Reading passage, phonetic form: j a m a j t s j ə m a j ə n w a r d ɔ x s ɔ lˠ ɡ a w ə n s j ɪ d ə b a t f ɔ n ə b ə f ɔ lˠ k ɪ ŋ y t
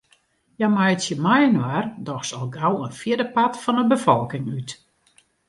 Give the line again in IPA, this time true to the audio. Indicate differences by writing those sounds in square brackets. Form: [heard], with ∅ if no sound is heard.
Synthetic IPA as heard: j a m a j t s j ə m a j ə n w a r d ɔ x s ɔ lˠ ɡ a w ə n [f] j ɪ d ə [p] a t f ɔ n ə b ə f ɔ lˠ k ɪ ŋ y t